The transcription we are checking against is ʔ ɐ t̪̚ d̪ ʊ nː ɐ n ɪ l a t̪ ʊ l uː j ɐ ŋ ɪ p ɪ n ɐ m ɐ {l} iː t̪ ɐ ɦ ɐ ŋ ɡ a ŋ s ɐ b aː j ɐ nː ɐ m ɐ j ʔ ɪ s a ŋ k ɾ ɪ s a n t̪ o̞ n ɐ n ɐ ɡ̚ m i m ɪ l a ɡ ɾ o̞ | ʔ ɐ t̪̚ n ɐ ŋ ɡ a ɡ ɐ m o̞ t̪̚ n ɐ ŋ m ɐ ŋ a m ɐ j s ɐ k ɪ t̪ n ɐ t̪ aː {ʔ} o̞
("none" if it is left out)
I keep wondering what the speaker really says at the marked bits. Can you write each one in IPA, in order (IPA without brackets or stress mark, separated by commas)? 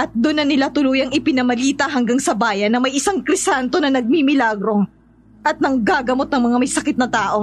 l, ʔ